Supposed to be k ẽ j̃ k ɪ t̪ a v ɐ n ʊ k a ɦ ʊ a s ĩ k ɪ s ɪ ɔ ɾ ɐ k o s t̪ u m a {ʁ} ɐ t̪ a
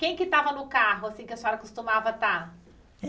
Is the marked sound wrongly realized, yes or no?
yes